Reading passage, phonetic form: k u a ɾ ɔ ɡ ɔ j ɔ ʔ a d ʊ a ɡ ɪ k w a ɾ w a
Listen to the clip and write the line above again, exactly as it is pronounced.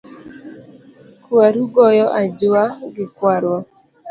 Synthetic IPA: k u a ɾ u ɡ ɔ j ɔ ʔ a d͡ʒ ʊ a ɡ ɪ k w a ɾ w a